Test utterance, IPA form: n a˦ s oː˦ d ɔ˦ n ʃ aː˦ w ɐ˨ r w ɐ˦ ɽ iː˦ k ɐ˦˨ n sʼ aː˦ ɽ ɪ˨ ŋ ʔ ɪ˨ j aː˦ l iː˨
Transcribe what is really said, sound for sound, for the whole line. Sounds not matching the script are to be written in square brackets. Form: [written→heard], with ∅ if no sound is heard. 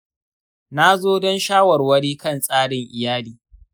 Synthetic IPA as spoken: n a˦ [s→z] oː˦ d ɔ˦ n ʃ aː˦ w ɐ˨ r w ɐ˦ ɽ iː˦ k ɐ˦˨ n sʼ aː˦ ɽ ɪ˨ ŋ ʔ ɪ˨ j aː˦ l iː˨